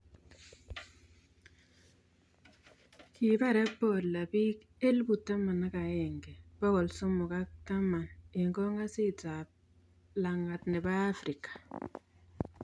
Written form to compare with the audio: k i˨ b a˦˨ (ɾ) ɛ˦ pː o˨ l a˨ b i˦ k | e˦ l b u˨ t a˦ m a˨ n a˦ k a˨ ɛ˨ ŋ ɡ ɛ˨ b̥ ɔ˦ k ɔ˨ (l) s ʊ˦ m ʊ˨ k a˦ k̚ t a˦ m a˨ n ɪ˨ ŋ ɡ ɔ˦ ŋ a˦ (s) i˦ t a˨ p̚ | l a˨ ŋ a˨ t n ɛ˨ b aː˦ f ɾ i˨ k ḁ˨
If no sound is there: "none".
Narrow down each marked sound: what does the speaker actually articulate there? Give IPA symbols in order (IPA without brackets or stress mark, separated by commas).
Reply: ɾ, l, s